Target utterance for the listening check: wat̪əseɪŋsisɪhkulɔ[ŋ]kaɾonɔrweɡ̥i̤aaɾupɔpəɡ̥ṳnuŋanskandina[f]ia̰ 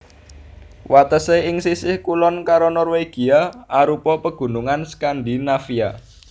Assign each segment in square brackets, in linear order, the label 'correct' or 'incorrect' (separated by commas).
incorrect, correct